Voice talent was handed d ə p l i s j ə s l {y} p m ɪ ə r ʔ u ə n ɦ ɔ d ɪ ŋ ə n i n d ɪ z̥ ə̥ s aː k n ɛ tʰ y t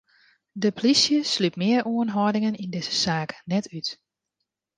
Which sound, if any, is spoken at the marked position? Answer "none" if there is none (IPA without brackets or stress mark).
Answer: y